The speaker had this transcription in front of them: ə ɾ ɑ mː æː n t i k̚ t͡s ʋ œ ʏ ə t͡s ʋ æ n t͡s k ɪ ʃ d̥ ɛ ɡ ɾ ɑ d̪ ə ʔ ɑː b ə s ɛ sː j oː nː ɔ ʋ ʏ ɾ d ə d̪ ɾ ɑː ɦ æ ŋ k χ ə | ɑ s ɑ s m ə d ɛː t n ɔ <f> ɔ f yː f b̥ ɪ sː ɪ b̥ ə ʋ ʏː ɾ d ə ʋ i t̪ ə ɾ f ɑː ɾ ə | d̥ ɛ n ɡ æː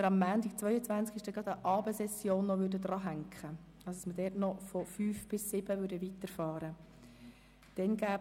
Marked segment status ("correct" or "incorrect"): correct